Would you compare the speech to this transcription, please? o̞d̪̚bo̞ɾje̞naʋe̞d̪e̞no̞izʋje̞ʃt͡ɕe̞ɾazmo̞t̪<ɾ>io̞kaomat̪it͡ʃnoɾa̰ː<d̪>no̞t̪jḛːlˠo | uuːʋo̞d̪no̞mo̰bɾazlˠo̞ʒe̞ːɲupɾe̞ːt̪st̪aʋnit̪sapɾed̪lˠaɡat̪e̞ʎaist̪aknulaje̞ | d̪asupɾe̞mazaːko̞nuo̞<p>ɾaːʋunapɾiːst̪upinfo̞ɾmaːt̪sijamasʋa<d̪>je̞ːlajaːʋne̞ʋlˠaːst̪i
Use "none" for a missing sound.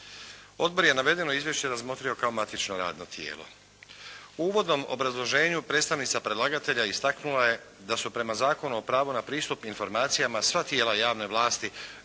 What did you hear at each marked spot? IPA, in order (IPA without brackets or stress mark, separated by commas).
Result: ɾ, d̪, p, t̪